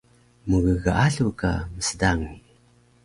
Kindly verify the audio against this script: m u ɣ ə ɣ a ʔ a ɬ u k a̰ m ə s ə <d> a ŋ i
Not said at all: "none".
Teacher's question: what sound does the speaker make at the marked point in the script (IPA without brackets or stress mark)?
d